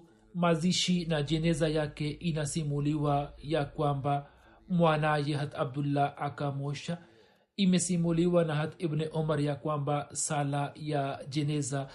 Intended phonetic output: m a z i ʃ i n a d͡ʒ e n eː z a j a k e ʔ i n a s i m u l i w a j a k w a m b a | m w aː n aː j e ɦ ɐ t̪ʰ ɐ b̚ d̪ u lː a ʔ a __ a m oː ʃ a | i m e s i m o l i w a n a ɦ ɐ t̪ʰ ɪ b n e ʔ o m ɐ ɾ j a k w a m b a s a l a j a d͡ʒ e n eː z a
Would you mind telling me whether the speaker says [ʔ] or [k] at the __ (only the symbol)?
k